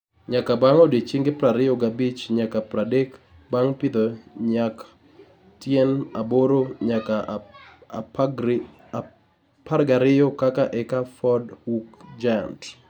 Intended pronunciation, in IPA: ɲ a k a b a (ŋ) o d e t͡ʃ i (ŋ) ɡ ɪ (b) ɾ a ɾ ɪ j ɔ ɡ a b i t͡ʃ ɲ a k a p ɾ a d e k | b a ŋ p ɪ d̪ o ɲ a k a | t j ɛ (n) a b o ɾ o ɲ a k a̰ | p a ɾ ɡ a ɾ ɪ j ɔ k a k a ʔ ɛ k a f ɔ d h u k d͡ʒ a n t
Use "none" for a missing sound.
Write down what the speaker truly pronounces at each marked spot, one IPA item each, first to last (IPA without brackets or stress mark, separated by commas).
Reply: ŋ, ŋ, p, n